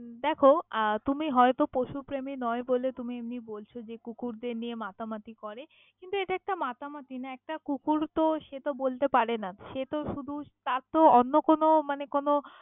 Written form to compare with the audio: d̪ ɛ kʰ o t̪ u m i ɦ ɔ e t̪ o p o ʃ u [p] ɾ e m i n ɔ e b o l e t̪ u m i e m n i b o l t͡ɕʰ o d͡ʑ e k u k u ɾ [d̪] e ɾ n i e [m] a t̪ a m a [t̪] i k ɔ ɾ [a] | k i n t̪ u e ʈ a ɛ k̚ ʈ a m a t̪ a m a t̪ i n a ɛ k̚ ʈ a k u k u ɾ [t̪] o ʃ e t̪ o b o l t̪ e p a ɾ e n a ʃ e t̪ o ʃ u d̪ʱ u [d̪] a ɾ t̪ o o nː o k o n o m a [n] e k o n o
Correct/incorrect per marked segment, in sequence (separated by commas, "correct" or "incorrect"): correct, correct, correct, correct, incorrect, correct, incorrect, correct